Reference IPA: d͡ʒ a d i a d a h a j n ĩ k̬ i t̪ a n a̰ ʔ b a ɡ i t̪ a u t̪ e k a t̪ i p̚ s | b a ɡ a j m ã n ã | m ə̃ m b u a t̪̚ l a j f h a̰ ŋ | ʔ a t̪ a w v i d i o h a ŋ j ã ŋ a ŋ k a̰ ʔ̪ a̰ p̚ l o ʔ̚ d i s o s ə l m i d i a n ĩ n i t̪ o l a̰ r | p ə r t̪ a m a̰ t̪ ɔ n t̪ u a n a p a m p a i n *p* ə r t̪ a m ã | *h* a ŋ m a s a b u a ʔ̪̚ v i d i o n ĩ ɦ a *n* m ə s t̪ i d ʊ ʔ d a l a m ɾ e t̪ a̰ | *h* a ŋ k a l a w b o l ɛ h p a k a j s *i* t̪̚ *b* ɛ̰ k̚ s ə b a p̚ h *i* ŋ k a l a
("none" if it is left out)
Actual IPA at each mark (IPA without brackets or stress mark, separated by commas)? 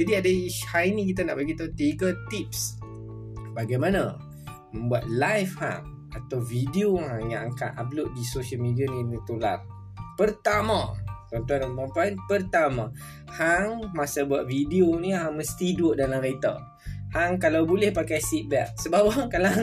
p, h, ŋ, h, i, b, a